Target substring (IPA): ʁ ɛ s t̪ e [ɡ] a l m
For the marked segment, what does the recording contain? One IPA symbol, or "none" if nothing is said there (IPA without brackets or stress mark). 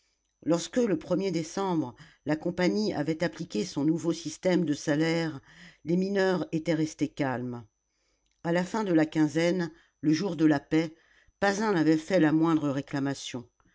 k